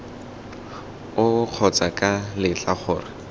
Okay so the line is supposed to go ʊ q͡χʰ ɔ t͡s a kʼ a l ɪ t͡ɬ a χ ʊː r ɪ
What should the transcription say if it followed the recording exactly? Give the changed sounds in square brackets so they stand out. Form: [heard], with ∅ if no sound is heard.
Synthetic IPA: ʊ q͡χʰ ɔ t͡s a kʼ a l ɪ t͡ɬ a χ ʊː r ɪ